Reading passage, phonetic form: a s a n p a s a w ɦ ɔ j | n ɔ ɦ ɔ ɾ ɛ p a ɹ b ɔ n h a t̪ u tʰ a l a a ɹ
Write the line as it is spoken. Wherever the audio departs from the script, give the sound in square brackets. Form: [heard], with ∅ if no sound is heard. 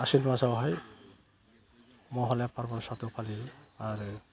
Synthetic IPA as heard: a s [i] n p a s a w ɦ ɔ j | [m] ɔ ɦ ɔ [l] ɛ p a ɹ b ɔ n [s] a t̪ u [pʰ] a l [i] a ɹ